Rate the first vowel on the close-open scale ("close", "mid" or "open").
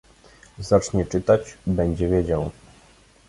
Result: open